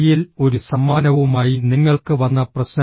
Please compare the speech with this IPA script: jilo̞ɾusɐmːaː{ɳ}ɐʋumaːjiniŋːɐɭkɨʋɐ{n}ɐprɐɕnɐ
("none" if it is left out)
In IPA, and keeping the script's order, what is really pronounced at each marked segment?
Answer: n, nː

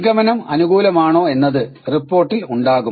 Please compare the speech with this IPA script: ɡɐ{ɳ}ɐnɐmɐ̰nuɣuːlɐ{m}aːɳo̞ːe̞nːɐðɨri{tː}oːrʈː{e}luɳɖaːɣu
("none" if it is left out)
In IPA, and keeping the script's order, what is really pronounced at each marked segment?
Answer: m, m, pː, i

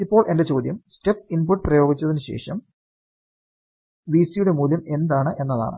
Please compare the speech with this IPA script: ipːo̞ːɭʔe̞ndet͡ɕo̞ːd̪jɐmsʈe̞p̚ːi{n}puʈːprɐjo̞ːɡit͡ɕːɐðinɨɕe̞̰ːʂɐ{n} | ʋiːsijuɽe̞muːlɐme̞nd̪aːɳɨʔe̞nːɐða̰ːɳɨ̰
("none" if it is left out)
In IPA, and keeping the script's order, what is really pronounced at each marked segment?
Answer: n, m

